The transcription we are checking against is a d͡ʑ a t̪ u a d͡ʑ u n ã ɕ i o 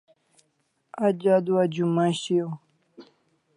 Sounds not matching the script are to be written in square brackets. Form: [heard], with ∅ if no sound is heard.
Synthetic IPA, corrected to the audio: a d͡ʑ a [d̪] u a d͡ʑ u [m] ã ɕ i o